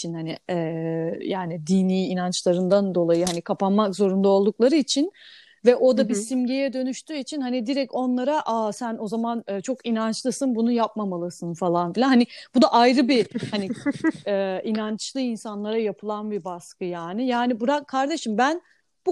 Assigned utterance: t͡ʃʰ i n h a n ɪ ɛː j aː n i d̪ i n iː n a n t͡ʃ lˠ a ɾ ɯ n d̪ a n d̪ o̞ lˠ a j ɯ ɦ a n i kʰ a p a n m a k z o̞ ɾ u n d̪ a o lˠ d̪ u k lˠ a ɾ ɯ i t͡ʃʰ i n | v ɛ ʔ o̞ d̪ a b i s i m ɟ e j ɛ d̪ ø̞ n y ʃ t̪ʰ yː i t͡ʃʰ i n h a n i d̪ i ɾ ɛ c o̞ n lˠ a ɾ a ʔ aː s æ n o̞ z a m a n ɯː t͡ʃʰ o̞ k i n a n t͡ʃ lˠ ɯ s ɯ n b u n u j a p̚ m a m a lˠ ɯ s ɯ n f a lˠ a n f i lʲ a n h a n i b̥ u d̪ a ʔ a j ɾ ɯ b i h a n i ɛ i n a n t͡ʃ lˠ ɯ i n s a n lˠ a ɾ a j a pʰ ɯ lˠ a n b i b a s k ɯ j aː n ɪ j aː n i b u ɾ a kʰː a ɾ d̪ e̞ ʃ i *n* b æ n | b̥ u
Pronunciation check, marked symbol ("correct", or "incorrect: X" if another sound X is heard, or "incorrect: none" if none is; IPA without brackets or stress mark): incorrect: m